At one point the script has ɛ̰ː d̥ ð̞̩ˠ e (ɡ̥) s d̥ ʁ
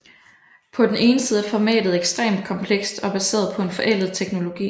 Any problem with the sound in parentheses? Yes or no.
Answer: no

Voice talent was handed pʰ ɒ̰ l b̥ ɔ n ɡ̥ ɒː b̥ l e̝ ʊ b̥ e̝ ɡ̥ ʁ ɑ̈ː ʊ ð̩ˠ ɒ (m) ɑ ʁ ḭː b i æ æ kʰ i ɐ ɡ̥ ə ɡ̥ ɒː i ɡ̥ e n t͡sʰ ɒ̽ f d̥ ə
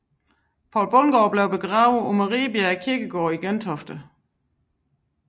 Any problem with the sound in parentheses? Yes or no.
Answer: no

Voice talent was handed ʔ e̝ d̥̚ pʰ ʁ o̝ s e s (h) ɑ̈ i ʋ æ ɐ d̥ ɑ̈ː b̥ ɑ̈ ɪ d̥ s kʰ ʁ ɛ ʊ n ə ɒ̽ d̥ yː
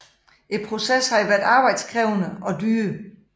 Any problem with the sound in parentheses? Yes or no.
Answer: no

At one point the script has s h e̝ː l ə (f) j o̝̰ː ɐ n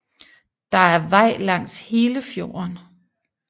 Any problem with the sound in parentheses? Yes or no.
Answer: no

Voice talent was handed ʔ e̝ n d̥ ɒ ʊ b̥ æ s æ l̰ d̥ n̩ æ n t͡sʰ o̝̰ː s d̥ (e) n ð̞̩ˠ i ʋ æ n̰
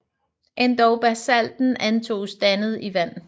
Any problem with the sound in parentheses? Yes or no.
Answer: yes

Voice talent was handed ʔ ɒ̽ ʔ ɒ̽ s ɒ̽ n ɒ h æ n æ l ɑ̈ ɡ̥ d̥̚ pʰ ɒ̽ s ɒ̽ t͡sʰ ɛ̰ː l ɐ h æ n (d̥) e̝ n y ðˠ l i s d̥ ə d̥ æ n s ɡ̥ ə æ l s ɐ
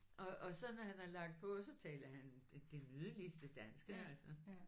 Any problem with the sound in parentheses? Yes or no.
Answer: no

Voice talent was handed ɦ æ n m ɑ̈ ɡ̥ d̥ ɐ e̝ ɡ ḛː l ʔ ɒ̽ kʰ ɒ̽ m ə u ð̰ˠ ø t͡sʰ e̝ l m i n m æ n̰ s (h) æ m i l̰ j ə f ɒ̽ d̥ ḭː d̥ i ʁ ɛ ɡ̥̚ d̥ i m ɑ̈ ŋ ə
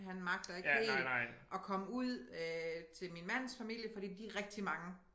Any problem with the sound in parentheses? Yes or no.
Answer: yes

